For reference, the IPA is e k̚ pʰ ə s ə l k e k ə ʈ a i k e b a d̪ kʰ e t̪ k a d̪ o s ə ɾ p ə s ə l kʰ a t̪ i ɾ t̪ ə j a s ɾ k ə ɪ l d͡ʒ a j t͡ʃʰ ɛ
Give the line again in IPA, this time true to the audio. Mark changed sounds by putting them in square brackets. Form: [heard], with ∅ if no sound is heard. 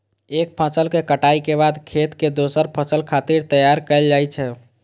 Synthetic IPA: e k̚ pʰ ə s ə l k e k ə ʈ a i k e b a d̪ kʰ e t̪ k [e] d̪ o s ə ɾ [pʰ] ə s ə l kʰ a t̪ i ɾ t̪ ə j a [∅] ɾ k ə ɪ l d͡ʒ a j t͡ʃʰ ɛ